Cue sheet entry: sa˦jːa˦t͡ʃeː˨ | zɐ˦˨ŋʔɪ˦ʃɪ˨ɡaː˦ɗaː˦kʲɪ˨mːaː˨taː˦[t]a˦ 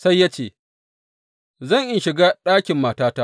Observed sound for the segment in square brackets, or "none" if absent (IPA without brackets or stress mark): t